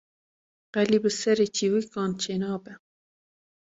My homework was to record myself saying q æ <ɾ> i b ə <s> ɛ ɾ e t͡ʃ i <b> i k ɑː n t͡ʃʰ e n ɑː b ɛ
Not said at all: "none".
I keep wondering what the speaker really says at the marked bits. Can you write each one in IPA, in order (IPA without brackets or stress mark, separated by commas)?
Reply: l, s, w